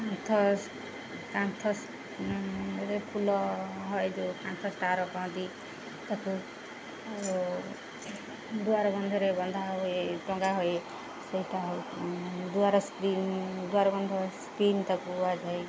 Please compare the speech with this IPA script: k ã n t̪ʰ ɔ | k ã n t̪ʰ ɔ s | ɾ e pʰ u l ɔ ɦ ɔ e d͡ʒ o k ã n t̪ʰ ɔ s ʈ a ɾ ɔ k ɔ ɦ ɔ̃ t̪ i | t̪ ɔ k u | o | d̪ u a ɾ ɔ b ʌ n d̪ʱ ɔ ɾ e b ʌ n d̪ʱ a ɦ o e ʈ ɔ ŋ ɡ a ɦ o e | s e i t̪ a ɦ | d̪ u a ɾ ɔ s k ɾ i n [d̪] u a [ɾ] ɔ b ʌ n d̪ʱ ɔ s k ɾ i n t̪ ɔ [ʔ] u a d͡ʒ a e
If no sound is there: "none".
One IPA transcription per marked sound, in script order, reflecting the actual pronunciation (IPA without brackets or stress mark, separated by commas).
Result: d̪, ɾ, k